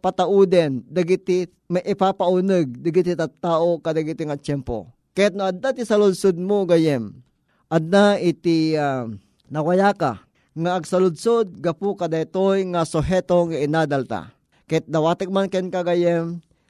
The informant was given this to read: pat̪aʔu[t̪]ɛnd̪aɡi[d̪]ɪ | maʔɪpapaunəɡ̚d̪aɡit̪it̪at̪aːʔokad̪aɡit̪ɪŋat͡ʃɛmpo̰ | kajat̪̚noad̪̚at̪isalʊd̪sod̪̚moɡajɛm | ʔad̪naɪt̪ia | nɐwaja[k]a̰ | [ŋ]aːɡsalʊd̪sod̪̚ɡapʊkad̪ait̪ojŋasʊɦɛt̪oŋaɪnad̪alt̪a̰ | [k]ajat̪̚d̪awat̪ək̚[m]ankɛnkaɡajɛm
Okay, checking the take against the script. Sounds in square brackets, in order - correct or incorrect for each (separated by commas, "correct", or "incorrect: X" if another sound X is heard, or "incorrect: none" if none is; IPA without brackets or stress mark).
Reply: incorrect: d̪, incorrect: t̪, correct, correct, correct, correct